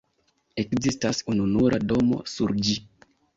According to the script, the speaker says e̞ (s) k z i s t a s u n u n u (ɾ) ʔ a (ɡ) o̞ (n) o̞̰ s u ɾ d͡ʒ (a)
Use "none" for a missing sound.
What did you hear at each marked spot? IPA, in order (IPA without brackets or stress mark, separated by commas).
none, ɾ, d, m, i